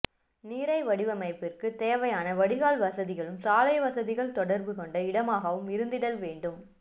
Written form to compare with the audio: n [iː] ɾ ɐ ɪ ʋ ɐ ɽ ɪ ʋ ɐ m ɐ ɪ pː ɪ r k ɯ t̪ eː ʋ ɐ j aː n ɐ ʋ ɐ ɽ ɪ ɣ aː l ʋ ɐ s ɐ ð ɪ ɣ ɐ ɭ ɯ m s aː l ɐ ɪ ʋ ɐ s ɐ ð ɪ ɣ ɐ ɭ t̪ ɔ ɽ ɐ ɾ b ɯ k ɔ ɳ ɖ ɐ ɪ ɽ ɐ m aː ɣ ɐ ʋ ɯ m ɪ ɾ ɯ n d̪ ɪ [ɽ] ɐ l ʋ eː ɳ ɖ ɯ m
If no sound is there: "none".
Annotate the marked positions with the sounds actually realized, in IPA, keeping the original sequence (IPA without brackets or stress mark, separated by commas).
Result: iː, ɽ